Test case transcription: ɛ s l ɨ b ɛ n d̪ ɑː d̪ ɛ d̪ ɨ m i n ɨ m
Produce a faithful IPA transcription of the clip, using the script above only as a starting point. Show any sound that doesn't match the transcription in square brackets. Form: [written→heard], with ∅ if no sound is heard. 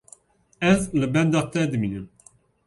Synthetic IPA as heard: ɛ [s→z] l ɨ b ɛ n d̪ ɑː [d̪→t̪] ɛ d̪ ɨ m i n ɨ m